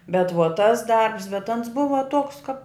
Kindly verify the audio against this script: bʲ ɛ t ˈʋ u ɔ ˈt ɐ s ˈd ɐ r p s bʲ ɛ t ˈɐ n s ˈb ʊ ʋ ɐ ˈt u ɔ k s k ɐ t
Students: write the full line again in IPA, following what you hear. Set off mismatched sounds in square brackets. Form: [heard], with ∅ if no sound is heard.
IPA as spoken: bʲ ɛ t ˈʋ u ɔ ˈt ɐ s ˈd ɐ r p s bʲ ɛ t ˈɐ n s ˈb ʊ ʋ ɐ ˈt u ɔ k s k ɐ [p]